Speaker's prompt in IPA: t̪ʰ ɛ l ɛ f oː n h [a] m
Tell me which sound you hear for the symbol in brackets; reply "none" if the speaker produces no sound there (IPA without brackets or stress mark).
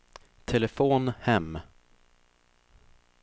ɛ